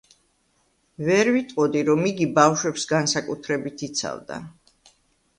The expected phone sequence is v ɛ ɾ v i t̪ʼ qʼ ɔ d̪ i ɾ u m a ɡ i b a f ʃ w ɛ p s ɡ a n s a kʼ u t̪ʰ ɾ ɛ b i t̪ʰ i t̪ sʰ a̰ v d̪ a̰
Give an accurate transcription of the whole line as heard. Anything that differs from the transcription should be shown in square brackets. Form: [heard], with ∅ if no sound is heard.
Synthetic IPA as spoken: v ɛ ɾ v i t̪ʼ qʼ ɔ d̪ i ɾ [ɔ] m [i] ɡ i b a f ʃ w ɛ p s ɡ a n s a kʼ u t̪ʰ ɾ ɛ b i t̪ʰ i t̪ sʰ a̰ v d̪ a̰